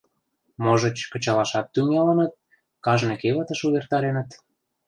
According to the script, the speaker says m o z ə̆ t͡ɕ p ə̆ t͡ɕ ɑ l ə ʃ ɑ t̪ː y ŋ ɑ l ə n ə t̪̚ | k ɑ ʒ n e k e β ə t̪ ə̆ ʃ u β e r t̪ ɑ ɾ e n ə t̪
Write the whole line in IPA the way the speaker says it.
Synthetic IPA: m o ʒ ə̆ t͡ɕ k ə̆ t͡ɕ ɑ l ɑ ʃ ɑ t̪ː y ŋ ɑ l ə n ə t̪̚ | k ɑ ʒ n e k e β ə t̪ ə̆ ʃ u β e r t̪ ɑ ɾ e n ə t̪